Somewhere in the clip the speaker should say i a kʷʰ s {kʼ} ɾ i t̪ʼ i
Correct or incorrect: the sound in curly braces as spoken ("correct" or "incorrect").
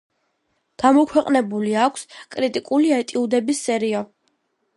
correct